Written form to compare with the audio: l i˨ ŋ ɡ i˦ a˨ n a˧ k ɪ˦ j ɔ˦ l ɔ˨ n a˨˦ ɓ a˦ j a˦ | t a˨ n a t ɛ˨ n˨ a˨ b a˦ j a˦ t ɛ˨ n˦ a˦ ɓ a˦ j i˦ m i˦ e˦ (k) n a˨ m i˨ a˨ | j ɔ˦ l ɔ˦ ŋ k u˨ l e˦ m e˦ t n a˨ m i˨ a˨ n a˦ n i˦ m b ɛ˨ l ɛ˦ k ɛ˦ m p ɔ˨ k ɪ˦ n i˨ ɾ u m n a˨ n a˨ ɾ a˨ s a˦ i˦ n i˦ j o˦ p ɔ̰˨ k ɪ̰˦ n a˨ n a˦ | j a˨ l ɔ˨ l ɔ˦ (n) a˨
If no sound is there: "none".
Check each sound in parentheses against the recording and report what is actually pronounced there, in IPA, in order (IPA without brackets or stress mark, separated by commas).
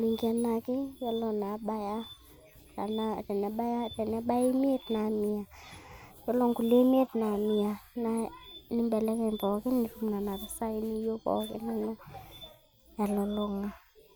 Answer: t, ŋ